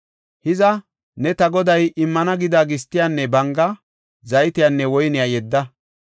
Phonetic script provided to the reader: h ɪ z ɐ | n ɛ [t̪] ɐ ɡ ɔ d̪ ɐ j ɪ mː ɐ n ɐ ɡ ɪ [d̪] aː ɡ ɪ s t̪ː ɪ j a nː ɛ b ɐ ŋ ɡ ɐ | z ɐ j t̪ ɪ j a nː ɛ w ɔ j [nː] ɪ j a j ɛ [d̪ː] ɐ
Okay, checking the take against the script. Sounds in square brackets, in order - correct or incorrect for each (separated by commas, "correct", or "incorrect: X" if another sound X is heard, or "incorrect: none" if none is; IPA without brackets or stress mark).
correct, correct, incorrect: n, correct